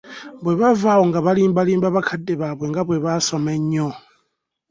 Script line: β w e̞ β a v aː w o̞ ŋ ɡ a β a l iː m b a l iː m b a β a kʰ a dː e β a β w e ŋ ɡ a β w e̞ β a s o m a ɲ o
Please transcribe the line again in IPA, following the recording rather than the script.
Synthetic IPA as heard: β w e̞ β a v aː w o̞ ŋ ɡ a β a l iː m b a l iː m b a β a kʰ a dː e β a β w e ŋ ɡ a β w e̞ β a s o m e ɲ o